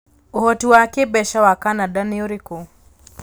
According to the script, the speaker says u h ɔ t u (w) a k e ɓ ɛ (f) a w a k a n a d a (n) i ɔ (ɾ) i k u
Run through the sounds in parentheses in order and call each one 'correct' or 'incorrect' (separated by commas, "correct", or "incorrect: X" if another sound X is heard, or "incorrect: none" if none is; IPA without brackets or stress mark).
correct, incorrect: ʃ, correct, correct